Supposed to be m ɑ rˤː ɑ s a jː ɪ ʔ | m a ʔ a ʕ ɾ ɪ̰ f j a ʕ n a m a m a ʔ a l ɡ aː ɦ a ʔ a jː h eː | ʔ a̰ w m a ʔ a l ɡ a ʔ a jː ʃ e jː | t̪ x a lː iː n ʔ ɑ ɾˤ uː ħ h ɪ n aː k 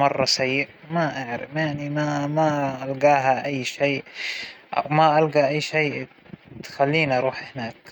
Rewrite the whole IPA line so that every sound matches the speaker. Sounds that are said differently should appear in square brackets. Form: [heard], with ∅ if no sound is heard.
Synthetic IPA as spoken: m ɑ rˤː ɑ s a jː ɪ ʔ | m a ʔ a ʕ ɾ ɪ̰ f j a ʕ n [i] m a m a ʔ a l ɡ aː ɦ a ʔ a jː [ʃ] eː | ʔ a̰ w m a ʔ a l ɡ a ʔ a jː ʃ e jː | t̪ x a lː iː n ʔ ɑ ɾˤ uː ħ h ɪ n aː k